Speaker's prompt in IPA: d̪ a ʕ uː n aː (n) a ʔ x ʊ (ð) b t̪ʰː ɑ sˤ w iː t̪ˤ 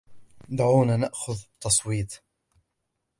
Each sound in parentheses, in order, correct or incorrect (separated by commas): correct, correct